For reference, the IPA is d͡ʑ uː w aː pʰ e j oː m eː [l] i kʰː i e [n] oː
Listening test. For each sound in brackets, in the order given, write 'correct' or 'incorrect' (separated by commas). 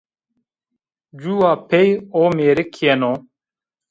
incorrect, correct